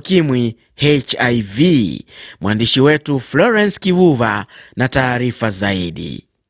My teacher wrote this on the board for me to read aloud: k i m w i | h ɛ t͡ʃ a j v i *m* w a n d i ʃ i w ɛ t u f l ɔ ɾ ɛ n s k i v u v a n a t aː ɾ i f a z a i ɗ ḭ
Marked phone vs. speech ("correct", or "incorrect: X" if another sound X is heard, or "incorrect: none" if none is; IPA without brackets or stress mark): correct